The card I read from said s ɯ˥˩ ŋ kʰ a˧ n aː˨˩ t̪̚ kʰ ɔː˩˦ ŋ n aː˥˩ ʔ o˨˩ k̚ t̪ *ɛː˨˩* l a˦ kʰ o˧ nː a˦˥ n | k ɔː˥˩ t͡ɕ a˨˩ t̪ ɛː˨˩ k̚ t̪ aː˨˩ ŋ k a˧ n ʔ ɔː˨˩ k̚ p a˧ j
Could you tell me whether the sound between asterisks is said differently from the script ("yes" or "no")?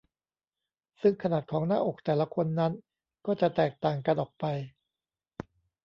no